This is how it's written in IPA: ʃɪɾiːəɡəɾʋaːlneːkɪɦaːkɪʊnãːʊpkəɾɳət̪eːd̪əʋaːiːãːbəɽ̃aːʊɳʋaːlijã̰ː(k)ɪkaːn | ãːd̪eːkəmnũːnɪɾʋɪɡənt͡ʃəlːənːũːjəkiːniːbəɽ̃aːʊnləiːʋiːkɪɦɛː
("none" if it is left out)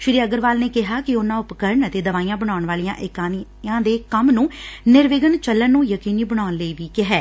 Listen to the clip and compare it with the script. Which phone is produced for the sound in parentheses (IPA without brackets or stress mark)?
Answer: ʔ